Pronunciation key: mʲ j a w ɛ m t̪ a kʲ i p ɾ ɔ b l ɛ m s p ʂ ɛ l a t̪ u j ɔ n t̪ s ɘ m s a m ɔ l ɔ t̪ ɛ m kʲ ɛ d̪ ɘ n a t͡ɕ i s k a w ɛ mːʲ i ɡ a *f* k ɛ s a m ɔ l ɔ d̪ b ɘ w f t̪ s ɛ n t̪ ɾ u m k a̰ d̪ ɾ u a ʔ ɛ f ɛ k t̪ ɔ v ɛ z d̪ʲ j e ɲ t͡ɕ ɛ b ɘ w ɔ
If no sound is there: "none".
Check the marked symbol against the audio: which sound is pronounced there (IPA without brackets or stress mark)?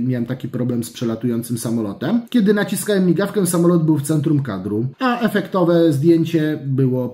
f